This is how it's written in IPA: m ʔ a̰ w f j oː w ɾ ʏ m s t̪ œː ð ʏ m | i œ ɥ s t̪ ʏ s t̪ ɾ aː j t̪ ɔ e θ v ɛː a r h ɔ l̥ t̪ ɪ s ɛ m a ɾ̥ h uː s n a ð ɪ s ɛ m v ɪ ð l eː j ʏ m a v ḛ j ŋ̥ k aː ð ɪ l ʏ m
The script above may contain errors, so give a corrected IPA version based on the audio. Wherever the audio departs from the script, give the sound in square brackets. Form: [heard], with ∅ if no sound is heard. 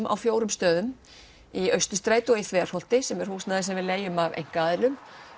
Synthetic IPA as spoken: m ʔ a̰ w f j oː w ɾ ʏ m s t̪ œː ð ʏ m | i œ ɥ s t̪ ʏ s t̪ ɾ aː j t̪ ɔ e θ v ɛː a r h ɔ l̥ t̪ ɪ s ɛ m [ɛ] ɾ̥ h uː s n a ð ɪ s ɛ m v ɪ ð l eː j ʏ m a v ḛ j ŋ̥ k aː ð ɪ l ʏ m